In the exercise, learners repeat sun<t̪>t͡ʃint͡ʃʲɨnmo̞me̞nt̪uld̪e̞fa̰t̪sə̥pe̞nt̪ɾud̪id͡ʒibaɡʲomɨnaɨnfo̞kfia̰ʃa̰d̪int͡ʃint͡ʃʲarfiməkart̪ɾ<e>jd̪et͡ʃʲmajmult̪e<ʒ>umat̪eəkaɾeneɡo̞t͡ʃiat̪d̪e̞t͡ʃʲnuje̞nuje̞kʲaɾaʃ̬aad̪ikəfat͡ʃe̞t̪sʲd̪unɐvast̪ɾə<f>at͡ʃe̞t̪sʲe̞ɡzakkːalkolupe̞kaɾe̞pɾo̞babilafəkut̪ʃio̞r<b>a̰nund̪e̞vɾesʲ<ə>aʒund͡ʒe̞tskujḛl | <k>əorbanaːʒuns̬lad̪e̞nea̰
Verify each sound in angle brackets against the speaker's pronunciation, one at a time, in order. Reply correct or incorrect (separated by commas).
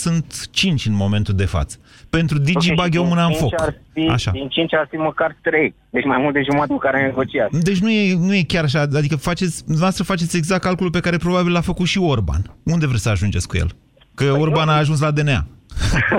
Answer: correct, correct, correct, correct, correct, correct, correct